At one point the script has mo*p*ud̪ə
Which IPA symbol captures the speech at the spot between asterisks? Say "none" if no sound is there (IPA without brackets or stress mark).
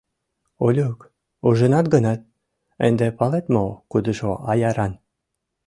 k